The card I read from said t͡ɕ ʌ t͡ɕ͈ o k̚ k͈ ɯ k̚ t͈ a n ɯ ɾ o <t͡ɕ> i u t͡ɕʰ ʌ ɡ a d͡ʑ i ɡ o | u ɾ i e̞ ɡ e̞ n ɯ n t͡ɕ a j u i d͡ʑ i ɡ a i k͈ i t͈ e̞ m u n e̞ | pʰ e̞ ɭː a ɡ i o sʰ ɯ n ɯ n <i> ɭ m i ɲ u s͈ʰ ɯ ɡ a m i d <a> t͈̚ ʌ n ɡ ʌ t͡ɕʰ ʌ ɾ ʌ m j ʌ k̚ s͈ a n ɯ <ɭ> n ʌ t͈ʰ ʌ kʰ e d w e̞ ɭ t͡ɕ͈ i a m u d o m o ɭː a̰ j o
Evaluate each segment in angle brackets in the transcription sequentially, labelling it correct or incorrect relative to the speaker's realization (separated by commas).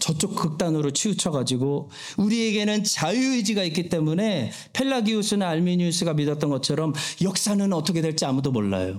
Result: incorrect, incorrect, incorrect, incorrect